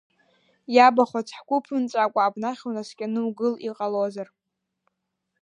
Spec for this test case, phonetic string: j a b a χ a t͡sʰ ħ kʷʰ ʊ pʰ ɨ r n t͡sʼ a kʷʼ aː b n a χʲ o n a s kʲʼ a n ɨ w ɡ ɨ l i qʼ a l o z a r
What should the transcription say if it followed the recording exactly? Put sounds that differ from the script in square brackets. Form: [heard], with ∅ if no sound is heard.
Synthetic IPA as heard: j a b a χ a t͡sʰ ħ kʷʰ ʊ pʰ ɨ [∅] n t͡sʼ a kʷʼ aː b n a χʲ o n a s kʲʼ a n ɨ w ɡ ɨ l i qʼ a l o z a r